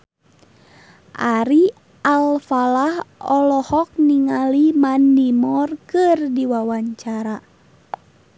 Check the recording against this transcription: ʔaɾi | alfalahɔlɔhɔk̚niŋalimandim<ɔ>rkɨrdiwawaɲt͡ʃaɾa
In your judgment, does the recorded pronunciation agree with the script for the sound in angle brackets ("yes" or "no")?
yes